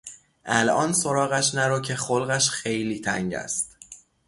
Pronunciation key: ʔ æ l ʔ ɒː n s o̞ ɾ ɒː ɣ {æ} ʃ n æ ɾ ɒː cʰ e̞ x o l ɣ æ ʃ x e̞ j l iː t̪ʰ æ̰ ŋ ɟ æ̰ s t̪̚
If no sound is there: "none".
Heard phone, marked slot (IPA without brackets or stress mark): æ